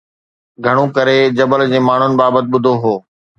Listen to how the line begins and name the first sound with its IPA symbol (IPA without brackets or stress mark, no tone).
ɡʱ